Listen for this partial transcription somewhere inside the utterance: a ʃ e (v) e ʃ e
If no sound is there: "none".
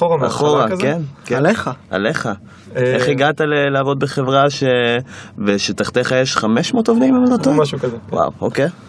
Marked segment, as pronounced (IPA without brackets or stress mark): v